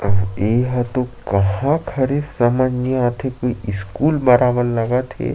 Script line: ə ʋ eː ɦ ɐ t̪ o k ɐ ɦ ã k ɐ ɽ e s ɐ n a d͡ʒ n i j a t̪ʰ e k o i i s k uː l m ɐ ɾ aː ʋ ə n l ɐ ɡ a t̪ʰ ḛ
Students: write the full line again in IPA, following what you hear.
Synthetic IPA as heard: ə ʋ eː ɦ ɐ t̪ o k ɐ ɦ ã kʰ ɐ ɾ e s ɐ m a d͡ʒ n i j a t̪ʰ e k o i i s k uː l m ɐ ɾ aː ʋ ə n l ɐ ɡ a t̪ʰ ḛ